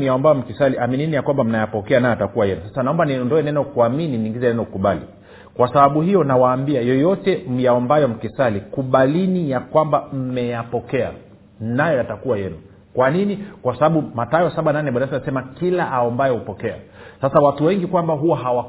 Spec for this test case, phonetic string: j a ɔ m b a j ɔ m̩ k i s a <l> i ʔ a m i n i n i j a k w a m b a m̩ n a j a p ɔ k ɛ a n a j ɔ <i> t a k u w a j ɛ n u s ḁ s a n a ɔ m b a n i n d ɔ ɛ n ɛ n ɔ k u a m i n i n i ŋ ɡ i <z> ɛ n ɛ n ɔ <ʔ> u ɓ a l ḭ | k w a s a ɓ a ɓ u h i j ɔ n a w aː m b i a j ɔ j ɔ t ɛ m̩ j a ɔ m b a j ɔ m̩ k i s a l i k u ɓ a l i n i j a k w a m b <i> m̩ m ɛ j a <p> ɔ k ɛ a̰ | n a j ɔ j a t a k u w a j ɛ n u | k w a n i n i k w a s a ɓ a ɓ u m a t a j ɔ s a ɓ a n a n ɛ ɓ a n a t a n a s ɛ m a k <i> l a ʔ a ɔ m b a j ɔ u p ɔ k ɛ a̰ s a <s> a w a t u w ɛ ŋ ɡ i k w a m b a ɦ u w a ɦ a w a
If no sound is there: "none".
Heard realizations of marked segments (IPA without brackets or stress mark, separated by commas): l, a, z, k, a, p, i, s